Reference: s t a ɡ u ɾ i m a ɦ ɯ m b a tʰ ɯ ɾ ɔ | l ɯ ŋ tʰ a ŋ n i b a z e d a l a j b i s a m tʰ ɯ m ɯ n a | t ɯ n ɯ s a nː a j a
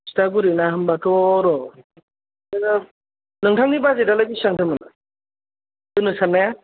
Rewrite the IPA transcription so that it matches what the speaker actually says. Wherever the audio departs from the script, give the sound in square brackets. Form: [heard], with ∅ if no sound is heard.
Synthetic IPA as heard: s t a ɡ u ɾ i [n] a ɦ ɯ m b a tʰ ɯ ɾ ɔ | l ɯ ŋ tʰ a ŋ n i b a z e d a l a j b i s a [ŋ] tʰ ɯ m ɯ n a | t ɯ n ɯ s a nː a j a